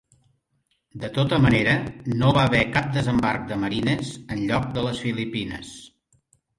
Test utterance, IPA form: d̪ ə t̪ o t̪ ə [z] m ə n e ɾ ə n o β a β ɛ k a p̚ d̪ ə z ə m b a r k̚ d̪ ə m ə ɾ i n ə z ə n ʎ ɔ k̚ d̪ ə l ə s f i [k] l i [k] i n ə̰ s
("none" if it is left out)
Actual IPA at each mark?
none, none, p

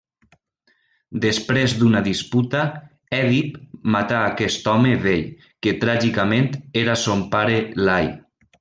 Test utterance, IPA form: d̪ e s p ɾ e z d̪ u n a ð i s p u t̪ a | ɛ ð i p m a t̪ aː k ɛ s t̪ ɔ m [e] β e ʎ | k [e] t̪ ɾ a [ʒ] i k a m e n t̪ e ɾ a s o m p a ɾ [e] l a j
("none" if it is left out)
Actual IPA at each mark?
e, e, ʒ, e

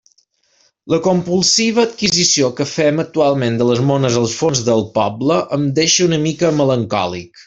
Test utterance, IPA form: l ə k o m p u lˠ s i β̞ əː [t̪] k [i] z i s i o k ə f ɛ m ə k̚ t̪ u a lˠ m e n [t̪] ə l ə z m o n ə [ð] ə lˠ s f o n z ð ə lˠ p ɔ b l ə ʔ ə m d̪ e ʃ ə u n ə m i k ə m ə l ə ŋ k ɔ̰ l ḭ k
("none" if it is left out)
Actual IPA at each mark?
t̪, i, d̪, z

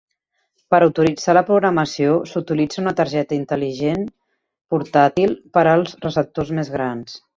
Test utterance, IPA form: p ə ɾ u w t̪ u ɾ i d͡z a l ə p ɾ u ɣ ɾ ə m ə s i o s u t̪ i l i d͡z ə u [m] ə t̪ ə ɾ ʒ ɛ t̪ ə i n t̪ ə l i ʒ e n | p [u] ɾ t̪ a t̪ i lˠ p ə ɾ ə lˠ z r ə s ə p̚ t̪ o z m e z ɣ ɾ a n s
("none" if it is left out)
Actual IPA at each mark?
n, u

